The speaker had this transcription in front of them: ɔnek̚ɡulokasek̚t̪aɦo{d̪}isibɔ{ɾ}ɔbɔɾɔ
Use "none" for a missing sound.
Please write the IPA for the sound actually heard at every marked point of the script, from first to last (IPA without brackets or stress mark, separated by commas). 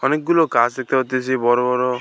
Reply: t̪, ɾ